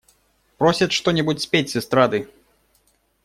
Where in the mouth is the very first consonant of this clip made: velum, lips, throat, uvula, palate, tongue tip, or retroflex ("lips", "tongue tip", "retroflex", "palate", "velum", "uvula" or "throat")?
lips